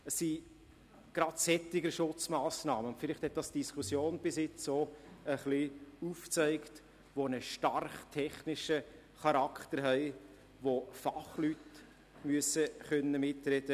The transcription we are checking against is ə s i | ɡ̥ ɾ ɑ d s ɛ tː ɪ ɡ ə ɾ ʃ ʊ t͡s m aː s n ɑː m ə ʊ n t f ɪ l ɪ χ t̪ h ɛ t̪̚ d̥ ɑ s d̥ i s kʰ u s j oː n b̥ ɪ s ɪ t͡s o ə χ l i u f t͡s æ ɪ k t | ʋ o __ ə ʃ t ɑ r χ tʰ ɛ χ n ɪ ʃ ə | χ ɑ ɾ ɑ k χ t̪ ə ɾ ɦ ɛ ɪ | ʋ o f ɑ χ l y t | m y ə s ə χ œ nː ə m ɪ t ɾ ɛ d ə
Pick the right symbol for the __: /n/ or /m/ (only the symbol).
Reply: n